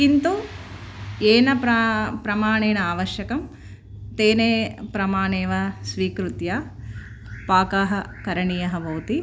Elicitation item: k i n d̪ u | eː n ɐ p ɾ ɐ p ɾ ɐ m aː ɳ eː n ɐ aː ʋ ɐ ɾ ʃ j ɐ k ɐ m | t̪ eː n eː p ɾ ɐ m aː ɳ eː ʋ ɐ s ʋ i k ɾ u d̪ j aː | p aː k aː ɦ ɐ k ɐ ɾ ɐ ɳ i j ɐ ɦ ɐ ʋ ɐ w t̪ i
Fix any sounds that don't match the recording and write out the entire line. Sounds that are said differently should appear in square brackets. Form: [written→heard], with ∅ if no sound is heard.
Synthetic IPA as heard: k i n [d̪→t̪] u | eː n ɐ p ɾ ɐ p ɾ ɐ m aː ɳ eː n ɐ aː ʋ ɐ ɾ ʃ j ɐ k ɐ m | t̪ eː n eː p ɾ ɐ m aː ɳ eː ʋ ɐ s ʋ [i→iː] k ɾ u [d̪→t̪] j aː | p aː k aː ɦ ɐ k ɐ ɾ ɐ ɳ i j ɐ ɦ ɐ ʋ ɐ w t̪ i